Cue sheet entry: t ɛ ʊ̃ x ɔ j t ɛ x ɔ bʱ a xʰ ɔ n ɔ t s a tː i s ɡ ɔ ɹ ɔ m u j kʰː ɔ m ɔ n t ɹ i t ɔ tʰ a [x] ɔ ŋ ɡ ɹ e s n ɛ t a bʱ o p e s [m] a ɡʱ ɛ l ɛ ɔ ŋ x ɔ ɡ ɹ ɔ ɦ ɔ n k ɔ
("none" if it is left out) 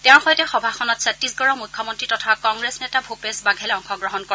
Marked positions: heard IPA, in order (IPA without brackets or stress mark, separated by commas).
k, b